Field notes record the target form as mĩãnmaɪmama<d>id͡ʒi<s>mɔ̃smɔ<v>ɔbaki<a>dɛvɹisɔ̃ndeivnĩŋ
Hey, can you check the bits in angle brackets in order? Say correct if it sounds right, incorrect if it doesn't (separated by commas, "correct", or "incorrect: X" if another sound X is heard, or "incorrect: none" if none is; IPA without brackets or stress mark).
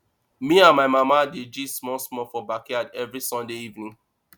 correct, correct, incorrect: f, correct